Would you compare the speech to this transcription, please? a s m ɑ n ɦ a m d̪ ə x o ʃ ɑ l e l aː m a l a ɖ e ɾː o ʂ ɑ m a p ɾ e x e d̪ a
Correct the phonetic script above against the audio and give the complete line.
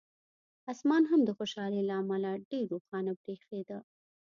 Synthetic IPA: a s m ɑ n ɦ a m d̪ ə x o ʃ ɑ l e l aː m a l a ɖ e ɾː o x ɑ n a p ɾ e x e d̪ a